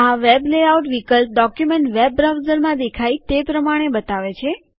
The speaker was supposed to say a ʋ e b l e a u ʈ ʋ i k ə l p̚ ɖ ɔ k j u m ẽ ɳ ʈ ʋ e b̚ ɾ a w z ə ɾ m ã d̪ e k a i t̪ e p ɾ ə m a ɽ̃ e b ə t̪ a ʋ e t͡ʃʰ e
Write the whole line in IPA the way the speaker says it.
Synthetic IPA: a ʋ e b l e a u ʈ ʋ i k ə l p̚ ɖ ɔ k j u m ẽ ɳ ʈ ʋ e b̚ ɾ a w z ə ɾ m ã d̪ e kʰ a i t̪ e p ɾ ə m a ɽ̃ e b ə t̪ a ʋ e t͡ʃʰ e